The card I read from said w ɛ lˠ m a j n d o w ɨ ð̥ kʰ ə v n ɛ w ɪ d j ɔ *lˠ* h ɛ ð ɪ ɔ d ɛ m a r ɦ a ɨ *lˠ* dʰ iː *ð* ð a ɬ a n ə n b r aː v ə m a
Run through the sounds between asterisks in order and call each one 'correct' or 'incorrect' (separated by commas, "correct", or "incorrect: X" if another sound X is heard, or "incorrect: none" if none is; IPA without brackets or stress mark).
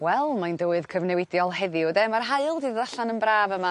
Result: correct, correct, correct